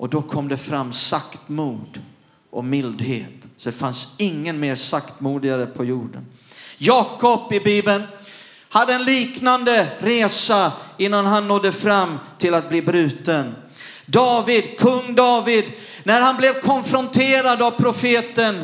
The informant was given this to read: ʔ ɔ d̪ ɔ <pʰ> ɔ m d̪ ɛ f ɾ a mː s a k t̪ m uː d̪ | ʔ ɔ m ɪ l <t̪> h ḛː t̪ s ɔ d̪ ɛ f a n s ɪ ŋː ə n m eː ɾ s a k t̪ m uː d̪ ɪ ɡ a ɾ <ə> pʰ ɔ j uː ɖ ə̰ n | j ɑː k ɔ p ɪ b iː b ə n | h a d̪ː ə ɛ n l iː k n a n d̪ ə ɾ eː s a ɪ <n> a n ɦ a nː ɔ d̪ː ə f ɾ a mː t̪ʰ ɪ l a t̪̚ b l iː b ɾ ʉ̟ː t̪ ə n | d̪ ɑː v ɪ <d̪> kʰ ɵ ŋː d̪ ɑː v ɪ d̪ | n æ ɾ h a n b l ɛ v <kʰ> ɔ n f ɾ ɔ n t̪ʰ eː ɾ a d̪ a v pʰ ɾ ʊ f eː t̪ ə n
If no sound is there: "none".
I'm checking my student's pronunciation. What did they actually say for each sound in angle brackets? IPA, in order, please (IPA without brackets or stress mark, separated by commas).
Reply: kʰ, d̪, ə, nː, d̪, kʰ